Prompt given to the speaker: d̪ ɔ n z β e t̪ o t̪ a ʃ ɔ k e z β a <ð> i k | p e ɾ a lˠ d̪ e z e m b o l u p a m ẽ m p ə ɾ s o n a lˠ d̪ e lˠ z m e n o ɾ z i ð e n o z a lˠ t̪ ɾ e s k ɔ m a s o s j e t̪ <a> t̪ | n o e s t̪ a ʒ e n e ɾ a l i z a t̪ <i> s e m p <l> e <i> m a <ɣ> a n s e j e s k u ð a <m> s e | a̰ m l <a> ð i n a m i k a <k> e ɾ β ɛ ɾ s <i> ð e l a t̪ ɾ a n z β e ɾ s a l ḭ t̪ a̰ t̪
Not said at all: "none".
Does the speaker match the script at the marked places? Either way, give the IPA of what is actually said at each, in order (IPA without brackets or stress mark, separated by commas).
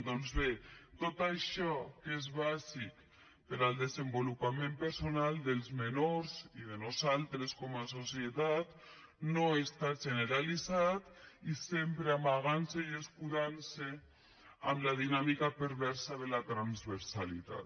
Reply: z, a, i, ɾ, a, ɣ, n, a, p, a